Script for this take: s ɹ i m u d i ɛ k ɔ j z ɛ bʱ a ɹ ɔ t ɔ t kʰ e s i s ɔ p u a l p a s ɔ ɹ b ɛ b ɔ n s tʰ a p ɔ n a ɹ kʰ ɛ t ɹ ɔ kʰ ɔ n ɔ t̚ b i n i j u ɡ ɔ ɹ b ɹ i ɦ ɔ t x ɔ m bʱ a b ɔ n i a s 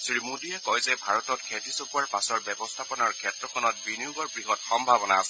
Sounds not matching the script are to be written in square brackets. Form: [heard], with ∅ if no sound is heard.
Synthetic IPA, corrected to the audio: s ɹ i m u d i ɛ k ɔ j z ɛ bʱ a ɹ ɔ t ɔ t kʰ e [t] i s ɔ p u a [ɹ] p a s ɔ ɹ b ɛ b ɔ [∅] s tʰ a p ɔ n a ɹ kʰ ɛ t ɹ ɔ kʰ ɔ n ɔ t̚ b i n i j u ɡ ɔ ɹ b ɹ i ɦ ɔ t x ɔ m bʱ a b ɔ n [a] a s

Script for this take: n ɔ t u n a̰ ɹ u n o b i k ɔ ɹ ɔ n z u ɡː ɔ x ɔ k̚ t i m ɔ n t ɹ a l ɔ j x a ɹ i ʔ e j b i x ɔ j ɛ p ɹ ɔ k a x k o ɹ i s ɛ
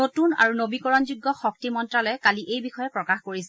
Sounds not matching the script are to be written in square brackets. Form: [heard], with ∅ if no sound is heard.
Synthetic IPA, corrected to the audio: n [o] t u n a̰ ɹ u n o b i k ɔ ɹ ɔ n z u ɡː ɔ x ɔ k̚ t i m ɔ n t ɹ a l ɔ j [k] a [l] i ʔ e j b i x ɔ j ɛ p ɹ ɔ k a x k o ɹ i s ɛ

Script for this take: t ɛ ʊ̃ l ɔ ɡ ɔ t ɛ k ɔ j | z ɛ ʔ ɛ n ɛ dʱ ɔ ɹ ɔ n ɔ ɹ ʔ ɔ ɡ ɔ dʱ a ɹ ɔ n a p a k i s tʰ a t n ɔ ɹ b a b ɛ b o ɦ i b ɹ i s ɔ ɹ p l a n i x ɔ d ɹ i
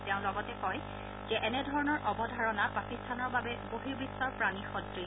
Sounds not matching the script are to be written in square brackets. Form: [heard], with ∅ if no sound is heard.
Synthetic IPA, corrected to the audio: t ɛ ʊ̃ l ɔ ɡ ɔ t ɛ k ɔ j | z ɛ ʔ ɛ n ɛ dʱ ɔ ɹ ɔ n ɔ ɹ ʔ ɔ [b] ɔ dʱ a ɹ ɔ n a p a k i s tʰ a [∅] n ɔ ɹ b a b ɛ b o ɦ i b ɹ i s ɔ ɹ p [ɹ] a n i x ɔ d ɹ i

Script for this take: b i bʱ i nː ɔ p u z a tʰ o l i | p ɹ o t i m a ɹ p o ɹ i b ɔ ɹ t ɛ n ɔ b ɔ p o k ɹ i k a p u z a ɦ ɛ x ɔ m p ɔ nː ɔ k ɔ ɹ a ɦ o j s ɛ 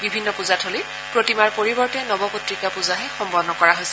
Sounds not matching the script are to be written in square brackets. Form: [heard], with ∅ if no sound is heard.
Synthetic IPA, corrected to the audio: b i bʱ i nː ɔ p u z a tʰ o l i | p ɹ o t i m a ɹ p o ɹ i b ɔ ɹ t ɛ n ɔ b ɔ p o [t] ɹ i k a p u z a ɦ ɛ x ɔ m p ɔ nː ɔ k ɔ ɹ a ɦ o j s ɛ

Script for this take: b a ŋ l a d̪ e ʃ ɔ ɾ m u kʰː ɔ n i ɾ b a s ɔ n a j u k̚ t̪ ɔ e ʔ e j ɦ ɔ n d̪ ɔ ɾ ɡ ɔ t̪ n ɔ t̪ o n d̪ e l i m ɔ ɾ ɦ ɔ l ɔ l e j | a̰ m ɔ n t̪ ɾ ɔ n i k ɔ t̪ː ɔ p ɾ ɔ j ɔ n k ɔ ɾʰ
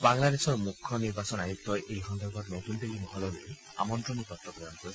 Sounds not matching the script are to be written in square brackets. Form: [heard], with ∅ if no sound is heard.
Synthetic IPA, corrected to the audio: b a ŋ l a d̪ e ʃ ɔ ɾ m u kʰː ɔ n i ɾ b a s ɔ n a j u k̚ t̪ ɔ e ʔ e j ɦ ɔ n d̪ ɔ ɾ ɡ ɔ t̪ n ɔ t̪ [u] n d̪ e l i m ɔ [∅] ɦ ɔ l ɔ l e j | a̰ m ɔ n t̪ ɾ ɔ n i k ɔ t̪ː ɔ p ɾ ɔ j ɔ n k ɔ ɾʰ

